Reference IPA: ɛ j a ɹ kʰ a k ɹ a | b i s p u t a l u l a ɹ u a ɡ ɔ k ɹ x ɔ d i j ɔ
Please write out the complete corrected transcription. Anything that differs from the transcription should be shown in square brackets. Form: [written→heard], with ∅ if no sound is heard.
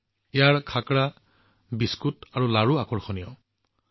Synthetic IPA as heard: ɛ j a ɹ kʰ a k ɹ a | b i s [p→k] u t a [l→ɹ] u l a ɹ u a [ɡ→k] ɔ [k→∅] ɹ x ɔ [d→n] i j ɔ